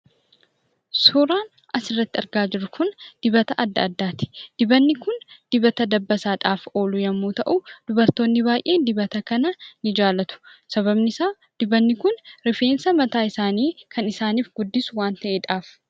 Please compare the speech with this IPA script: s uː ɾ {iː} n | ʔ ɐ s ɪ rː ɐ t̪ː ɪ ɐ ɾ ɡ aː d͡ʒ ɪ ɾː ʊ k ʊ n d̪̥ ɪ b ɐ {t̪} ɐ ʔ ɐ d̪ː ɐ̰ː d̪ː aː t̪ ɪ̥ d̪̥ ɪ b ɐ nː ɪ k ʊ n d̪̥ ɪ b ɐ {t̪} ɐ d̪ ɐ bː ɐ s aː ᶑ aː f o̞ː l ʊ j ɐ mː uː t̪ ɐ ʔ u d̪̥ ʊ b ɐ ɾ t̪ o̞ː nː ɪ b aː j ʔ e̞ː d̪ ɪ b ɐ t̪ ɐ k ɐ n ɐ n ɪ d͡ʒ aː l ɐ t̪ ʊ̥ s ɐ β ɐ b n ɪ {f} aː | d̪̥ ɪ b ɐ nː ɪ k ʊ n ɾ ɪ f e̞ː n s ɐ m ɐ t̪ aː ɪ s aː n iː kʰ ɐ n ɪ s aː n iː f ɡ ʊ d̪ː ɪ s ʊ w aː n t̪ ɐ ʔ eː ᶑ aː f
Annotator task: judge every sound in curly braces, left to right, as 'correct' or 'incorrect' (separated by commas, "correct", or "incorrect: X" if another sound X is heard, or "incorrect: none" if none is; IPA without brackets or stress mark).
incorrect: aː, correct, correct, incorrect: s